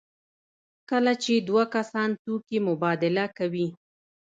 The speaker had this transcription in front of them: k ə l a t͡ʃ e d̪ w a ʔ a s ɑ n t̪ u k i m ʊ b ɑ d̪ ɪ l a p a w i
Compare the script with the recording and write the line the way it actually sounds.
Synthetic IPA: k ə l a t͡ʃ e d̪ w a k a s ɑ n t̪ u k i m ʊ b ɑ d̪ ɪ l a k a w i